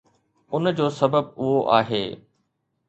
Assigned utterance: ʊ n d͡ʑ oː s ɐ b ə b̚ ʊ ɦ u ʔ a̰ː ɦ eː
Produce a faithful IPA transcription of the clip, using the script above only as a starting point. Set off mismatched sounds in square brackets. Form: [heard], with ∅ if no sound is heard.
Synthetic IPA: ʊ n d͡ʑ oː s ɐ b ə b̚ ʊ ɦ [o] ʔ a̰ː ɦ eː

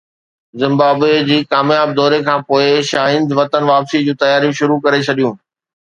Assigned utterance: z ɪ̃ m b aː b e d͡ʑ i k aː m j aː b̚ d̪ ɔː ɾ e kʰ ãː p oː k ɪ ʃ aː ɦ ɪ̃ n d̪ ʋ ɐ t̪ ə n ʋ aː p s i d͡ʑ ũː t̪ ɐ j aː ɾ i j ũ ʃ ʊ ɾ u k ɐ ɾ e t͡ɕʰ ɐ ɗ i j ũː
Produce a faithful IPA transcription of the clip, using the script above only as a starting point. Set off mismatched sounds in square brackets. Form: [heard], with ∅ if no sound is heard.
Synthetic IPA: z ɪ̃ m b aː b e d͡ʑ [iː] k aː m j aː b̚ d̪ ɔː ɾ e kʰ ãː p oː [∅] ɪ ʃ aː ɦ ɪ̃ n d̪ ʋ ɐ t̪ ə n ʋ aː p s i d͡ʑ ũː t̪ ɐ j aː ɾ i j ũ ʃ ʊ ɾ u k ɐ ɾ e t͡ɕʰ ɐ ɗ i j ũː

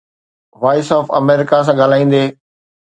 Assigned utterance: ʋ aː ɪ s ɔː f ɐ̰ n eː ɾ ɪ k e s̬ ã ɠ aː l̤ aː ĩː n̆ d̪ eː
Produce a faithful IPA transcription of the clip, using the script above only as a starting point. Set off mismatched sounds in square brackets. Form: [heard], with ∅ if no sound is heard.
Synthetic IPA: ʋ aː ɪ s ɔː f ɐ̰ [m] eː ɾ ɪ k [a] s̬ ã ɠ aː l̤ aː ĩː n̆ d̪ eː

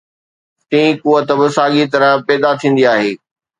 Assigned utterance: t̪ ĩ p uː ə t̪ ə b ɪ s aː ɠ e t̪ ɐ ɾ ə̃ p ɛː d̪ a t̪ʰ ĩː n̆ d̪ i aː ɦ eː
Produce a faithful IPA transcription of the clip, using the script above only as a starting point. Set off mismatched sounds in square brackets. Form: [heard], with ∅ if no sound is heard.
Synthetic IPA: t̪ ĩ [k] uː ə t̪ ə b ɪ s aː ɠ [i] t̪ ɐ ɾ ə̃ p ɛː d̪ a t̪ʰ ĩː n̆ d̪ i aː ɦ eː

